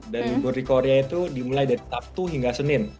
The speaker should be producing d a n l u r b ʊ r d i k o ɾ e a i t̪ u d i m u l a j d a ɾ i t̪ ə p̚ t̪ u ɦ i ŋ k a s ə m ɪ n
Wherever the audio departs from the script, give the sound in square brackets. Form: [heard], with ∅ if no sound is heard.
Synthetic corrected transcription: d a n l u [∅] b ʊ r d i k o ɾ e a i t̪ u d i m u l a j d a ɾ i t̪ [a] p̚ t̪ u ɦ i ŋ [ɡ] a s ə [n] ɪ n